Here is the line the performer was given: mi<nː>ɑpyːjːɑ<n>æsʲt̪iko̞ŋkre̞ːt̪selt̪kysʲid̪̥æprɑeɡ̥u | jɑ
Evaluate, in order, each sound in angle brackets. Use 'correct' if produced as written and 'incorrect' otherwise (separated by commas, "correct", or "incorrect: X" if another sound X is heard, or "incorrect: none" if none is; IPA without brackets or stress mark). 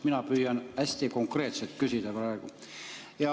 incorrect: n, correct